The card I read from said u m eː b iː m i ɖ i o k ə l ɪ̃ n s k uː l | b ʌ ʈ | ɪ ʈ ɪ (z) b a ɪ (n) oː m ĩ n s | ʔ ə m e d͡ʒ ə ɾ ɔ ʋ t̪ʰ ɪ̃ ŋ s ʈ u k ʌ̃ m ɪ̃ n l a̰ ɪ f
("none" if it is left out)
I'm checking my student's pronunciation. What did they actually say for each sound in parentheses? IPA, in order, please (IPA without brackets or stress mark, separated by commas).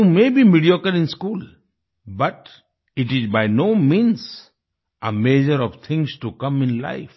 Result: z, n